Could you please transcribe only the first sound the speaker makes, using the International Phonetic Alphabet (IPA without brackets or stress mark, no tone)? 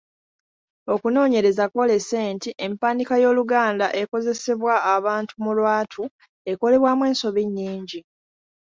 o̞